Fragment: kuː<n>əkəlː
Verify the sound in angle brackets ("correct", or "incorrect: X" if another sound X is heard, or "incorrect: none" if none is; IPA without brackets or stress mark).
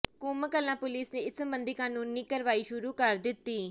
incorrect: m